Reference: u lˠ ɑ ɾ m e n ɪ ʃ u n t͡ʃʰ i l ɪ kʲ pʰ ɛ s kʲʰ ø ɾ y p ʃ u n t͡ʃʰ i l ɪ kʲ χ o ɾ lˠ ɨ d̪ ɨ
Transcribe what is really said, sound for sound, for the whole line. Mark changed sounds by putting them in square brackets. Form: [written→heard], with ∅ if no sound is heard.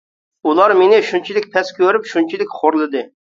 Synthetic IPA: u lˠ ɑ ɾ m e n ɪ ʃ u n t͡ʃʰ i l ɪ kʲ pʰ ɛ s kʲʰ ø ɾ y p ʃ u n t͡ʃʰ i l ɪ kʲ χ o ɾ lˠ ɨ d̪ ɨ